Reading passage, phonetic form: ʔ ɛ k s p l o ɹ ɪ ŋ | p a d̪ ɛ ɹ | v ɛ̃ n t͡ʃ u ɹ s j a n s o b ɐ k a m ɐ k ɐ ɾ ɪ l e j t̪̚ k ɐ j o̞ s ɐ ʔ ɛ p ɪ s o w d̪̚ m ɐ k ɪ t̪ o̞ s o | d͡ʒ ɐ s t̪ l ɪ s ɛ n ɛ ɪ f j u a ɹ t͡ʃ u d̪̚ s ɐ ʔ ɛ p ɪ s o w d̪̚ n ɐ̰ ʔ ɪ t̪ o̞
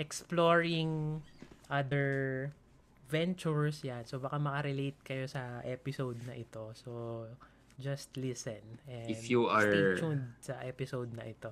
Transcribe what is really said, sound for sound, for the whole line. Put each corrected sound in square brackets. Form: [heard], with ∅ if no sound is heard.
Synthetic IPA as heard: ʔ ɛ k s p l o ɹ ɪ ŋ | [ʔ] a d̪ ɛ ɹ | v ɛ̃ n t͡ʃ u ɹ s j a n s o b ɐ k a m ɐ k ɐ ɾ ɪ l e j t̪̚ k ɐ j o̞ s ɐ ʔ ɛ p ɪ s o w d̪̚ [n] ɐ [ʔ] ɪ t̪ o̞ s o | d͡ʒ ɐ s t̪ l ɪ s ɛ n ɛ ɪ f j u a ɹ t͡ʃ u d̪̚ s ɐ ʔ ɛ p ɪ s o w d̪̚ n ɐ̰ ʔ ɪ t̪ o̞